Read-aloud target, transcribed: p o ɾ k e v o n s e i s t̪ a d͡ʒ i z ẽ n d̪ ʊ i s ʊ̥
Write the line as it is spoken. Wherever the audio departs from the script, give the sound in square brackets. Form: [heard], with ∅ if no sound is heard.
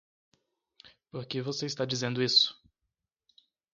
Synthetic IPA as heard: p o ɾ k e v o [∅] s e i s t̪ a d͡ʒ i z ẽ n d̪ ʊ i s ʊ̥